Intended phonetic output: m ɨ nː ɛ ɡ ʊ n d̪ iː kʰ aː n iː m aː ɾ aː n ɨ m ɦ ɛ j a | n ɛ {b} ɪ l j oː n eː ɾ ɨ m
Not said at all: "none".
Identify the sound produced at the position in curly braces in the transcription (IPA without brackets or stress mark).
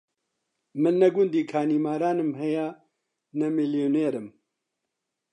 m